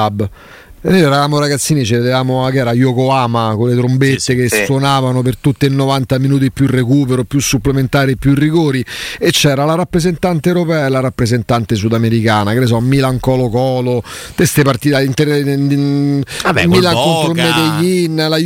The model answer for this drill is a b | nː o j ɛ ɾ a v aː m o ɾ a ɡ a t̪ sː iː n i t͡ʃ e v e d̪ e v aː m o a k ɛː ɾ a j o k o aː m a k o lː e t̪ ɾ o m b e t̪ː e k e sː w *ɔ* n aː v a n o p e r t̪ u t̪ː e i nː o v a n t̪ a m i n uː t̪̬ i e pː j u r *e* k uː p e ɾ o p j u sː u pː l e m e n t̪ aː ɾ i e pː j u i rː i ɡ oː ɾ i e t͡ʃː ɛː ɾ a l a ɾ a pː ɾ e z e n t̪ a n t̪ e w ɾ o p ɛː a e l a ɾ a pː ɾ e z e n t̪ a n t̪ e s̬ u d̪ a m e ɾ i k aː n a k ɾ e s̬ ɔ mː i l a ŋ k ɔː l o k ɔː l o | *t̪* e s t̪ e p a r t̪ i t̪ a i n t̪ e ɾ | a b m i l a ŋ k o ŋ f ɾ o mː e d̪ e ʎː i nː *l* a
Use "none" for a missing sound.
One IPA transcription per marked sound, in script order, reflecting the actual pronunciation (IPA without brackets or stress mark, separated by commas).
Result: o, e, t̪, l